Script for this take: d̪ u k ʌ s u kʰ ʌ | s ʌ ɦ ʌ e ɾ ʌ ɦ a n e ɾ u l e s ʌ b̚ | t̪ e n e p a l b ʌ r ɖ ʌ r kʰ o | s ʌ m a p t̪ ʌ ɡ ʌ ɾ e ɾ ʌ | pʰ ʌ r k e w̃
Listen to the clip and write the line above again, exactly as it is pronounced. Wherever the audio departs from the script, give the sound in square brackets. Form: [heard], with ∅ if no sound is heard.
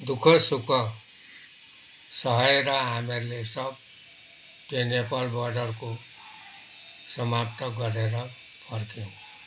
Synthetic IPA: d̪ u [kʰ] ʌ s u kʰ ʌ | s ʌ ɦ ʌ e ɾ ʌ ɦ a [m] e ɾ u l e s ʌ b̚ | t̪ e n e p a l b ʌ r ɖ ʌ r [k] o | s ʌ m a p t̪ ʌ ɡ ʌ ɾ e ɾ ʌ | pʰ ʌ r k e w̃